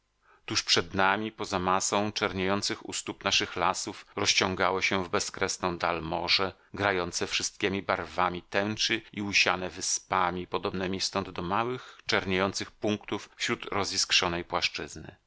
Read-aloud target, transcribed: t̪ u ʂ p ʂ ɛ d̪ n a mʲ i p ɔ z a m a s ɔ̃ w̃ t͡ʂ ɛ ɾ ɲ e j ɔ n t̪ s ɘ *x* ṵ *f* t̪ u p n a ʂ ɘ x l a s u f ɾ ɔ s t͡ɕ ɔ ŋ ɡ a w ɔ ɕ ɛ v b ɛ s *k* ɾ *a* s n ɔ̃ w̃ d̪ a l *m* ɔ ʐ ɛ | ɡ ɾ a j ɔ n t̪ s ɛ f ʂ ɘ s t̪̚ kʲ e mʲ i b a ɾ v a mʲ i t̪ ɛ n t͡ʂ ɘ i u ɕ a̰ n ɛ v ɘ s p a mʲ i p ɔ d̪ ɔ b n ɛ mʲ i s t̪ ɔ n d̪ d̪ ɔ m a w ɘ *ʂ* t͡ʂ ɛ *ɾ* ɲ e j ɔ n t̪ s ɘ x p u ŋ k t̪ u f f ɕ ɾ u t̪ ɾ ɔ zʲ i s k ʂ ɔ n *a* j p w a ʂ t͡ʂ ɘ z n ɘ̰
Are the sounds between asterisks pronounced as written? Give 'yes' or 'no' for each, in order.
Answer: yes, no, yes, no, yes, no, yes, no

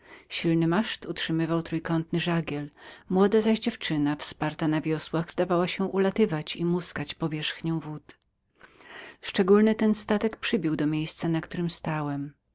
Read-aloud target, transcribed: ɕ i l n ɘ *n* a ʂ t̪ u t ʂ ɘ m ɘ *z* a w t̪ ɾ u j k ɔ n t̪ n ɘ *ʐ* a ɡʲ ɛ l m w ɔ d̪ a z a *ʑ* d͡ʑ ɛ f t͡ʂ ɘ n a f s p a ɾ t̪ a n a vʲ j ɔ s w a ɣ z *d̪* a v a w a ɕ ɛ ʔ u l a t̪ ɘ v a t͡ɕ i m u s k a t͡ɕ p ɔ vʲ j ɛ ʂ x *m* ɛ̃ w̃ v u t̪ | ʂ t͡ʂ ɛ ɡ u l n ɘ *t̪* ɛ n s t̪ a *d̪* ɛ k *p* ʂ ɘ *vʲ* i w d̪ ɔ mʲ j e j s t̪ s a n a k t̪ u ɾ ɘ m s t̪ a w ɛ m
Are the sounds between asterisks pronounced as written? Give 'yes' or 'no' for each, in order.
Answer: no, no, yes, yes, yes, no, yes, no, yes, no

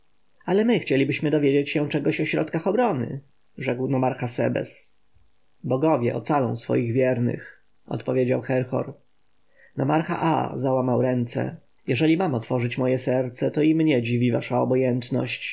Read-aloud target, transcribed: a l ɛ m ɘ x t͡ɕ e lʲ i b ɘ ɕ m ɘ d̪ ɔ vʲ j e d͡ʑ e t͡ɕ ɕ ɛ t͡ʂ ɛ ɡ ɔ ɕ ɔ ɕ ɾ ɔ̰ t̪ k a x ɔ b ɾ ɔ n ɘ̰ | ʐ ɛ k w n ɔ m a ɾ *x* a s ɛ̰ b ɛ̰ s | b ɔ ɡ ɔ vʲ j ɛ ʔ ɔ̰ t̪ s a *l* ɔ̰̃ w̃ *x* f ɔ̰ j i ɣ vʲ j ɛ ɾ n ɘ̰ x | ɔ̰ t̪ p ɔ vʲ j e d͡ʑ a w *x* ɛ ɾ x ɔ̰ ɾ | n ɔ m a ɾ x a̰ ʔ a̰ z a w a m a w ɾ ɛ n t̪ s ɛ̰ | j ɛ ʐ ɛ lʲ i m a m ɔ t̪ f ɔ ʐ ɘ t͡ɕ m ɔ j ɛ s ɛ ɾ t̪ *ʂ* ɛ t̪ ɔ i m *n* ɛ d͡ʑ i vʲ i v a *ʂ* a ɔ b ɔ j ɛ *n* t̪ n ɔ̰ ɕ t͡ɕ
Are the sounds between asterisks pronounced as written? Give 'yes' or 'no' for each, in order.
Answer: yes, yes, no, yes, no, no, yes, yes

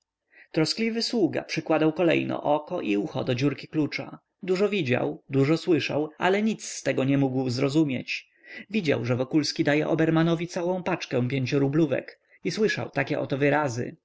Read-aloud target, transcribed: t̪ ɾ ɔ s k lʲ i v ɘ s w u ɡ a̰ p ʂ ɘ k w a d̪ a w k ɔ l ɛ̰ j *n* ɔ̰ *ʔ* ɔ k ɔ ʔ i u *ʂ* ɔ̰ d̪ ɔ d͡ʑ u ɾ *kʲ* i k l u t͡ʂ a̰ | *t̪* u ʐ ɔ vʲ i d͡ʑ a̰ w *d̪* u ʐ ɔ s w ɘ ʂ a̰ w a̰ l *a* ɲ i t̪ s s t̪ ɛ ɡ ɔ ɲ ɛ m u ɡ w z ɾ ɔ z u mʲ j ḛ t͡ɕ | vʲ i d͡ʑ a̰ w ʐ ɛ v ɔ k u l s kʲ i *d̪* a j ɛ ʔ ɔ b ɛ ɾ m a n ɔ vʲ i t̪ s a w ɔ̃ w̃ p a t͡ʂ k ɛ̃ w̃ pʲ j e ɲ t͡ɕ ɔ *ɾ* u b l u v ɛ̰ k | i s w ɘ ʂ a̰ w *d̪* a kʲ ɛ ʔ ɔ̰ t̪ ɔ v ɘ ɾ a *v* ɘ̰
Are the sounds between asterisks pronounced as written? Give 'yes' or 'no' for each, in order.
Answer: yes, yes, no, yes, no, yes, no, yes, yes, no, no

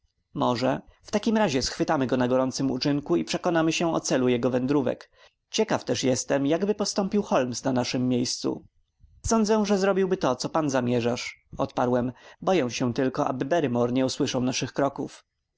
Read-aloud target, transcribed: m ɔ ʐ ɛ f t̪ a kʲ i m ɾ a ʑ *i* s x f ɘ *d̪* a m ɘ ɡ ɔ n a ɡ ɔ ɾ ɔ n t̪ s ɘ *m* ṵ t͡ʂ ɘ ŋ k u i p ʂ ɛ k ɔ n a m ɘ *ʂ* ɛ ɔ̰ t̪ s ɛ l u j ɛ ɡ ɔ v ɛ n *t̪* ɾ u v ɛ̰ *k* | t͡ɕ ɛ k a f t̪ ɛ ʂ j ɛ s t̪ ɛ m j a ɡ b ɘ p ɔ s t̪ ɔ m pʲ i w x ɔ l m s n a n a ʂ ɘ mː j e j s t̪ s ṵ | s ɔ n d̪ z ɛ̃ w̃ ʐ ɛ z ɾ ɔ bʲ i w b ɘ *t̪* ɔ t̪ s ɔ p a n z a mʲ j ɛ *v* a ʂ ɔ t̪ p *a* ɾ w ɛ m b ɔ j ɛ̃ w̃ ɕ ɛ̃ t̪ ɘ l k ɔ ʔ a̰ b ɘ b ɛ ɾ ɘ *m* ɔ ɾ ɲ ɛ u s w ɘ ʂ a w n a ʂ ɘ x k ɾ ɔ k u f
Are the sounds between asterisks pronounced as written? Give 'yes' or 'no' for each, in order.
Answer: no, no, yes, no, no, yes, yes, no, yes, yes

